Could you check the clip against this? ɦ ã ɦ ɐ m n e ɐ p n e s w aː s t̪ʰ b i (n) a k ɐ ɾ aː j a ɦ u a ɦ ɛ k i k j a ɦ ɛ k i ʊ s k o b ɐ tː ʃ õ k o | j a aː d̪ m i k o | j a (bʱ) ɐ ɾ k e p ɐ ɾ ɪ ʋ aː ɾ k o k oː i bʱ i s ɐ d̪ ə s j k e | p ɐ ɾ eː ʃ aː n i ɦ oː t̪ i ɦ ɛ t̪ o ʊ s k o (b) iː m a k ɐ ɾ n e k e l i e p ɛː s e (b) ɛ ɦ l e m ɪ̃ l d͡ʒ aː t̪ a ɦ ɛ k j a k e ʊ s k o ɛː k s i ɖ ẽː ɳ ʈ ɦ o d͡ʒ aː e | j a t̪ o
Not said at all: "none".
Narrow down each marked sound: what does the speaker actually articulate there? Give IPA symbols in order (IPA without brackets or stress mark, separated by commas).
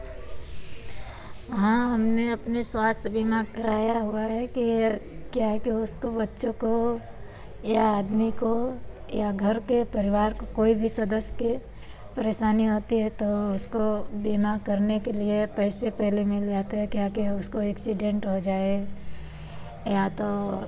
m, ɡʱ, b, p